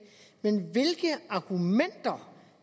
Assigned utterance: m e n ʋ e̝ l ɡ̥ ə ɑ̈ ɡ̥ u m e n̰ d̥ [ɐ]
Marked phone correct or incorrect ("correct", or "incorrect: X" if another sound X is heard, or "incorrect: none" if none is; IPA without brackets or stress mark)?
correct